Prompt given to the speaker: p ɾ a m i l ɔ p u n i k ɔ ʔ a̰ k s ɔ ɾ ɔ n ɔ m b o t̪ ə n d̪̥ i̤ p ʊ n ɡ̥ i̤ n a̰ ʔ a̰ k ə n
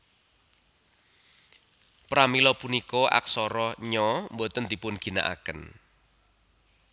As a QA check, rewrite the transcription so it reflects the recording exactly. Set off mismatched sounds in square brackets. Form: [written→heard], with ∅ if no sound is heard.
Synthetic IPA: p ɾ a m i l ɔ p u n i k ɔ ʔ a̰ k s ɔ ɾ ɔ [n→ɲ] ɔ m b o t̪ ə n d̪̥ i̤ p ʊ n ɡ̥ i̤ n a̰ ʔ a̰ k ə n